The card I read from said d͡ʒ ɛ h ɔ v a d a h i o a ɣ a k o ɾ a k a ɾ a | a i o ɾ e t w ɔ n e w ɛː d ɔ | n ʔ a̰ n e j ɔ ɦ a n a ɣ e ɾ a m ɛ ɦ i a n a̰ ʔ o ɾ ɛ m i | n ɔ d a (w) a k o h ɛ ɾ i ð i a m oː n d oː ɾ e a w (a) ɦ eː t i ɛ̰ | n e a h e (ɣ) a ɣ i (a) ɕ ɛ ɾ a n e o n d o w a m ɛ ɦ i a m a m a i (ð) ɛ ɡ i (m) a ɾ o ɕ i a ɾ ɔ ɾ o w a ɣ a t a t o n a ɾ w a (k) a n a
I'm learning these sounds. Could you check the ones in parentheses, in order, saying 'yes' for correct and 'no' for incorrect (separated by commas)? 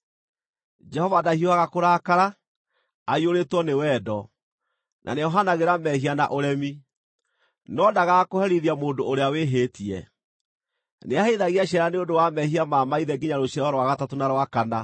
no, no, no, yes, yes, no, yes